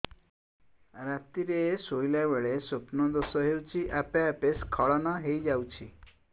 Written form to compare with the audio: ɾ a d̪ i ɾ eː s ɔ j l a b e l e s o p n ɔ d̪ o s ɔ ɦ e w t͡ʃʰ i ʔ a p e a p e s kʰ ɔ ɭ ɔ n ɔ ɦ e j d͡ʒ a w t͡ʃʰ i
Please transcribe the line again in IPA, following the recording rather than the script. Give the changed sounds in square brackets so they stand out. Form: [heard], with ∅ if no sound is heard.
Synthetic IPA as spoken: ɾ a [t̪] i ɾ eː s [o] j l a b e [ɭ] e s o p n ɔ d̪ o s ɔ ɦ e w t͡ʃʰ i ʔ a p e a p e s kʰ ɔ ɭ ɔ n ɔ ɦ e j d͡ʒ a w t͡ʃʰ i